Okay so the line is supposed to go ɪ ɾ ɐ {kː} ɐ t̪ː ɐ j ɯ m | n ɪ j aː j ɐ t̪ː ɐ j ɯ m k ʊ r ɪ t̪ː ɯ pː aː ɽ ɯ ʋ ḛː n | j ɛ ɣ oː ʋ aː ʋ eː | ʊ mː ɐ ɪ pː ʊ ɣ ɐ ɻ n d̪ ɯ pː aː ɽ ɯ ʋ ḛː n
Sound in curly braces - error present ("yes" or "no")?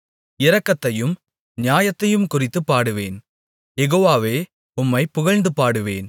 no